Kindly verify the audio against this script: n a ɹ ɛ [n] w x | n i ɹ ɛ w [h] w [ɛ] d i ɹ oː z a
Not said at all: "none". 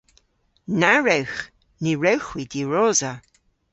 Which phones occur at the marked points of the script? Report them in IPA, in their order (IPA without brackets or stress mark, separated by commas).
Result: none, x, i